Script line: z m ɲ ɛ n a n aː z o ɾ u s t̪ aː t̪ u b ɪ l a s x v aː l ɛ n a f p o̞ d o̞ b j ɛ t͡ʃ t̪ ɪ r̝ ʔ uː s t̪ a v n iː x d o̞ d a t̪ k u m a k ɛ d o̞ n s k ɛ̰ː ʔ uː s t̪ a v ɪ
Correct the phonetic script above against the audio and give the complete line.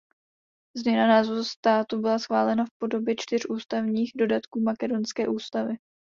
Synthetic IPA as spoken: z m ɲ ɛ n a n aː z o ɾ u s t̪ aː t̪ u b ɪ l a s x v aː l ɛ n a f p o̞ d o̞ b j ɛ t͡ʃ t̪ ɪ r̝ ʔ uː s t̪ a v ɲ iː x d o̞ d a t̪ k uː m a k ɛ d o̞ n s k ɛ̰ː ʔ uː s t̪ a v ɪ